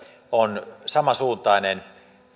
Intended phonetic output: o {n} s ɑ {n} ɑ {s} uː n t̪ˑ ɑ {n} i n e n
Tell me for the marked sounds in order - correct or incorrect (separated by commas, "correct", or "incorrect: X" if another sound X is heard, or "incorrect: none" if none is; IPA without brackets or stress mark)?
correct, incorrect: m, correct, incorrect: none